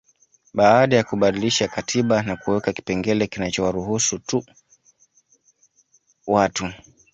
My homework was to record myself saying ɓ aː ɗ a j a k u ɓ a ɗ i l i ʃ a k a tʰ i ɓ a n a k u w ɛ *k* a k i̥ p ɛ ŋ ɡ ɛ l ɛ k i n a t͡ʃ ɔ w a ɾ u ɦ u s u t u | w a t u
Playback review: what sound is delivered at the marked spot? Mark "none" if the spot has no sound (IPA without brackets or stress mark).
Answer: k